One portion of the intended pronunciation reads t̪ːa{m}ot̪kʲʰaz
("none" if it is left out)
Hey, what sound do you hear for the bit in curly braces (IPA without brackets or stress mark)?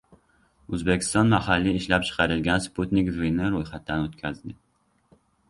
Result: n